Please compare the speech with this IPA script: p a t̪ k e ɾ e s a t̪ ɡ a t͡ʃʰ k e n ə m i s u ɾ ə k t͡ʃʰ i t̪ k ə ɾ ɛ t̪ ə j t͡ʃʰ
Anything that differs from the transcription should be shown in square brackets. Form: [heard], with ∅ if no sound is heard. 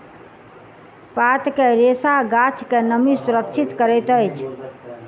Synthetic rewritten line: p a t̪ k e ɾ e s a [∅] ɡ a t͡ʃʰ k e n ə m i s u ɾ ə k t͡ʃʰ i t̪ k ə ɾ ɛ t̪ ə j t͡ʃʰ

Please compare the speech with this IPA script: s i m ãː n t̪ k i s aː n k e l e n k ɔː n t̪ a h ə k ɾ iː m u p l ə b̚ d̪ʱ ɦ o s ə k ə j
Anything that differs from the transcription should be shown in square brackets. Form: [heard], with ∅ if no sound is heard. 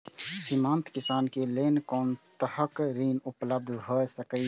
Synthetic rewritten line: s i m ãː n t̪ k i s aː n k e l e n k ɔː n t̪ [ə] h ə k ɾ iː [n] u p l ə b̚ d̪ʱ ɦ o s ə k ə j

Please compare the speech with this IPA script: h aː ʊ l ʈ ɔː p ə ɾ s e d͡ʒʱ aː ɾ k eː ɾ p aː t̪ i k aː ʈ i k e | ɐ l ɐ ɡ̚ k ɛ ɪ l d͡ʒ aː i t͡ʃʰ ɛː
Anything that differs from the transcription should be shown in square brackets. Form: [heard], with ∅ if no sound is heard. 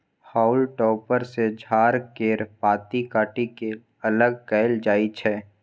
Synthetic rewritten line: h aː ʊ l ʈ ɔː p ə ɾ s e d͡ʒʱ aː ɾ k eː ɾ p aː t̪ i k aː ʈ i k e | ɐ l [ə] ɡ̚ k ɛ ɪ l d͡ʒ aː i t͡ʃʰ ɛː

